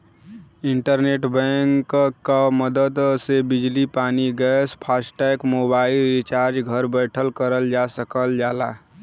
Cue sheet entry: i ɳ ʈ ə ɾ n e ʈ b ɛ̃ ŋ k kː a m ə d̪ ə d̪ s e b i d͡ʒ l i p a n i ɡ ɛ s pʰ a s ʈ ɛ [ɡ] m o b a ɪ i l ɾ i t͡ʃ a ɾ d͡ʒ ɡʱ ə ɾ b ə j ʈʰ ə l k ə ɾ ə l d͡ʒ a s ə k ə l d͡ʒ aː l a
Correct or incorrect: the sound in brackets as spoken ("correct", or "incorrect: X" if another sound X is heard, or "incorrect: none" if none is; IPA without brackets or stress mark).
incorrect: k